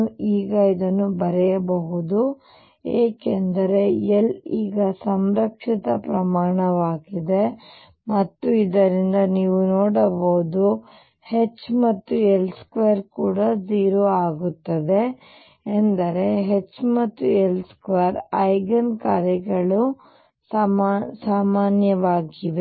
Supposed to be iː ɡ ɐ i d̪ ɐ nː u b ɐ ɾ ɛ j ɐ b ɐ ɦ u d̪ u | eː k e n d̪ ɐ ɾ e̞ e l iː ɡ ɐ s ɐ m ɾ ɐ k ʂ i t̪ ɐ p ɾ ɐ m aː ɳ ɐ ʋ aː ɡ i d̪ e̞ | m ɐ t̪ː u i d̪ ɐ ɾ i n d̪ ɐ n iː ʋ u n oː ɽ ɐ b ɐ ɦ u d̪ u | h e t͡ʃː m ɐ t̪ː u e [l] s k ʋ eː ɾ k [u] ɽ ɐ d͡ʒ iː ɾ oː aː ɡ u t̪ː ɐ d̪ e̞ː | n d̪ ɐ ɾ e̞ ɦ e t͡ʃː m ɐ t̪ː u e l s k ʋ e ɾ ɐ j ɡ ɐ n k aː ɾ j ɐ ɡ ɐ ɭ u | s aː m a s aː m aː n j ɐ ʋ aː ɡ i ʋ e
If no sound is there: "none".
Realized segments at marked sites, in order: l, uː

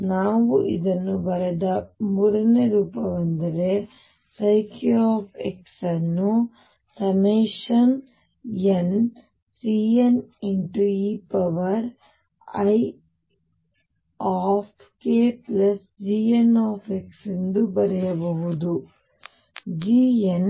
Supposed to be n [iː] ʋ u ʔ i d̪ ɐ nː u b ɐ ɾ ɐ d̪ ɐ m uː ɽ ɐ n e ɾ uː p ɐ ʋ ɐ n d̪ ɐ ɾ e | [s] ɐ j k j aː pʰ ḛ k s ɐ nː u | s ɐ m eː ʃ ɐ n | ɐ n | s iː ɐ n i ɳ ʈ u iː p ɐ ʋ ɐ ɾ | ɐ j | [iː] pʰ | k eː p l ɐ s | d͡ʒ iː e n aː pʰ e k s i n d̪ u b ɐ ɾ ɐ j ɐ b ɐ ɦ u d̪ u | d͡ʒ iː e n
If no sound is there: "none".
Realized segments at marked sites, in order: aː, s, aː

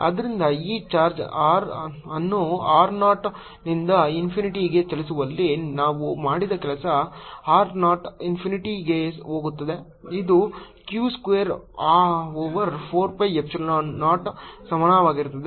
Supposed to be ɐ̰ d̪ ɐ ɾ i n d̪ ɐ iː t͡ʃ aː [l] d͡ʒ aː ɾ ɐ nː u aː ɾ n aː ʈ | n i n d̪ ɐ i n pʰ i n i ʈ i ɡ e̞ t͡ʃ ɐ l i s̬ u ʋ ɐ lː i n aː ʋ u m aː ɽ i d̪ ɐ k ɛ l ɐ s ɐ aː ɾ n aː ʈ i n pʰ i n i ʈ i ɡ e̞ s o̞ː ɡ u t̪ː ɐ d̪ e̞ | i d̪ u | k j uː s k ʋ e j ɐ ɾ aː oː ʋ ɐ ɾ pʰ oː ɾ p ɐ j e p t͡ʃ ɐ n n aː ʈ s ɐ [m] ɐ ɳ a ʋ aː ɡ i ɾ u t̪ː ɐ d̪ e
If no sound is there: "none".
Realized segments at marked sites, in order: ɾ, m

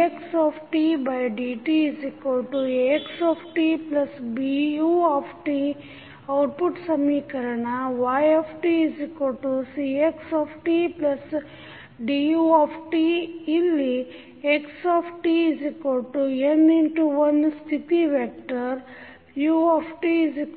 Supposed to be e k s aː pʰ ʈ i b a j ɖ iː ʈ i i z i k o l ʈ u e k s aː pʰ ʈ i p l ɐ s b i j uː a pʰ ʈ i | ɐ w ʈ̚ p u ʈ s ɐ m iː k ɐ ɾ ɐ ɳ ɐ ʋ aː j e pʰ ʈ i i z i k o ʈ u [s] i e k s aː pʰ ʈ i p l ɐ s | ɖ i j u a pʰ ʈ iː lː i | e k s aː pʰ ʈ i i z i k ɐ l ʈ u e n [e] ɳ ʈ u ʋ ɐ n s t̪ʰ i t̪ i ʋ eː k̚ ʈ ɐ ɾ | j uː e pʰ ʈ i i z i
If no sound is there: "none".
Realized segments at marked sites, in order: s, i

